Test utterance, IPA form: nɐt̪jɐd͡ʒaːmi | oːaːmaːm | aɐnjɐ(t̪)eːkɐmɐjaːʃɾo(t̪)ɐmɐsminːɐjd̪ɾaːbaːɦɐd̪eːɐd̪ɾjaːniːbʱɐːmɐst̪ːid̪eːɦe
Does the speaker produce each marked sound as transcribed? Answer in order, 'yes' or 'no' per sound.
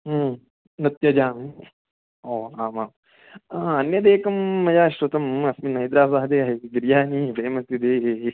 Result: no, yes

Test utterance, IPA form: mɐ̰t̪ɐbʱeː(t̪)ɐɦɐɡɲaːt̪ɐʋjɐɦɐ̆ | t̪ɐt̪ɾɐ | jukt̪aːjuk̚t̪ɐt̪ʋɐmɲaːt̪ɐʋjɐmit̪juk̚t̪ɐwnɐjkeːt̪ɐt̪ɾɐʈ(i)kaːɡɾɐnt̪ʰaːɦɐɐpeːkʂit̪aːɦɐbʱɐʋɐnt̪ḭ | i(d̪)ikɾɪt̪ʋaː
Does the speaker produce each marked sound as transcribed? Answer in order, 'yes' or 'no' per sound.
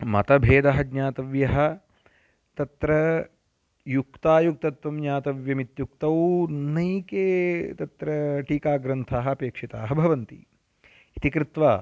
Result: no, no, no

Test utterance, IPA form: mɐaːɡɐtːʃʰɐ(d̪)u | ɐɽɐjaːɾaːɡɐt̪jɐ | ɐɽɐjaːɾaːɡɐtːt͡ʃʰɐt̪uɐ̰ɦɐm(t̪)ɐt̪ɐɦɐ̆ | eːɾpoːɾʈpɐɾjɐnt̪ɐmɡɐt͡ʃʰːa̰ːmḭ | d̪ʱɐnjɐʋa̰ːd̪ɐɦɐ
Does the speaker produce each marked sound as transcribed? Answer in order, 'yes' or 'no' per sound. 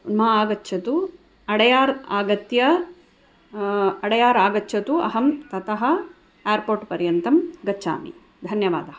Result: no, yes

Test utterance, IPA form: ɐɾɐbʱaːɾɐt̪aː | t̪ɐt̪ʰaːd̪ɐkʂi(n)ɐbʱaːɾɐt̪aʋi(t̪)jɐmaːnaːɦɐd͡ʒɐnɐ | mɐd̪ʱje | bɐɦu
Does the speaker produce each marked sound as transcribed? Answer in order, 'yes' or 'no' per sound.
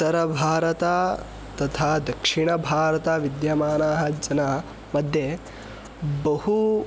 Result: no, no

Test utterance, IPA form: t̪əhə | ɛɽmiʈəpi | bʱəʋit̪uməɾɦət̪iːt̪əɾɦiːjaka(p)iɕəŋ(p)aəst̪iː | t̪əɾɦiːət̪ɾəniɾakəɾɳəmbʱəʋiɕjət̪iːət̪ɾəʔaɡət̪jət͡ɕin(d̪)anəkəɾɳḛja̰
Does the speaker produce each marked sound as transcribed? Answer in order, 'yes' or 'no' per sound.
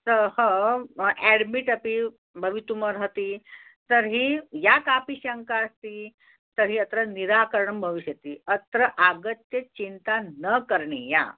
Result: yes, no, no

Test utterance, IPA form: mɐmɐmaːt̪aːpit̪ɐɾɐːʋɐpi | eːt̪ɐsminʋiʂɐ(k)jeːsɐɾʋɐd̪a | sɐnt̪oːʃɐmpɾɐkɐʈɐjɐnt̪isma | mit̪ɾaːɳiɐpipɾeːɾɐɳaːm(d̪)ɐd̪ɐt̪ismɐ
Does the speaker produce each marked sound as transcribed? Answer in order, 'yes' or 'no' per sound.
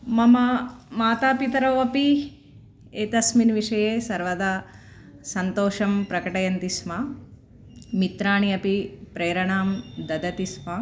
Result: no, yes

